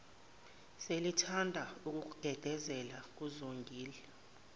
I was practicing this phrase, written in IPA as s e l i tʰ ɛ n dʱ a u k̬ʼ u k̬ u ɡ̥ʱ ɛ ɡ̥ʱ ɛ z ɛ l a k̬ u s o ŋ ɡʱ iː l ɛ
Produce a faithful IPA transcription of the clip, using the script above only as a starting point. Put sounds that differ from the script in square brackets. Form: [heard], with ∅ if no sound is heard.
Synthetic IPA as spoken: s e l i tʰ [a] n dʱ a u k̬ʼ u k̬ u ɡ̥ʱ ɛ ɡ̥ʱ ɛ z ɛ l a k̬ u [z] o ŋ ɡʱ iː l ɛ